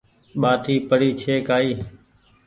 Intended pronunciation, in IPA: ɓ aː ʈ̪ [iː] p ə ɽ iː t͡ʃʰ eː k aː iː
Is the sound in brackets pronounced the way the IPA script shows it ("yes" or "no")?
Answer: yes